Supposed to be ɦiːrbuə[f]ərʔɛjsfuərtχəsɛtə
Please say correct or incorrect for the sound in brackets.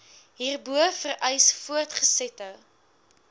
correct